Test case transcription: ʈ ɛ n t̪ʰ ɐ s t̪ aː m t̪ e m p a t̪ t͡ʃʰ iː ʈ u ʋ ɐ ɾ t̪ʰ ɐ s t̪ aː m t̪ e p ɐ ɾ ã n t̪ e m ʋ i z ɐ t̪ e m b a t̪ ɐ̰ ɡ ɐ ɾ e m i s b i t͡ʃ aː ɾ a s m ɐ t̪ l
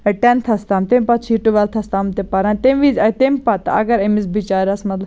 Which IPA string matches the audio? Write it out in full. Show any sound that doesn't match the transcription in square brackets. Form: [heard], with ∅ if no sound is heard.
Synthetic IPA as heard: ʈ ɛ n t̪ʰ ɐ s t̪ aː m t̪ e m p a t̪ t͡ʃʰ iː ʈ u ʋ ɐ [l] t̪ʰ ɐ s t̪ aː m t̪ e p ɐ ɾ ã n t̪ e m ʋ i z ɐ t̪ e m [p] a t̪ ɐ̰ ɡ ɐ ɾ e m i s b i t͡ʃ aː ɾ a s m ɐ t̪ l